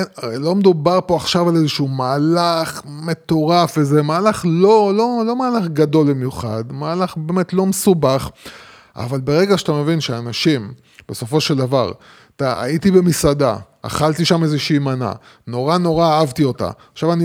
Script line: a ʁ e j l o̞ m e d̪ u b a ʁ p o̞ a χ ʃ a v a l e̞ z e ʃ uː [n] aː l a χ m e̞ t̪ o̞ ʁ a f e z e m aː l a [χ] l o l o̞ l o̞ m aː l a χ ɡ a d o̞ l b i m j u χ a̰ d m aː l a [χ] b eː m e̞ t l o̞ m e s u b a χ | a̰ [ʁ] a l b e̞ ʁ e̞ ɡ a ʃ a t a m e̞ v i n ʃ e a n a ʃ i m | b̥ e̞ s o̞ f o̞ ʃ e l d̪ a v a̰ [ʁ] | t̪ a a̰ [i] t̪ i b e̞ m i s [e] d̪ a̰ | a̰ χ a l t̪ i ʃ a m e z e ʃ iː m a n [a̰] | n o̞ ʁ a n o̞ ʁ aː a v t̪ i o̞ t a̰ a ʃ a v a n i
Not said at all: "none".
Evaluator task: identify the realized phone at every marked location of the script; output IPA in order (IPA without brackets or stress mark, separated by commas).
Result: m, χ, χ, v, ʁ, i, a, a̰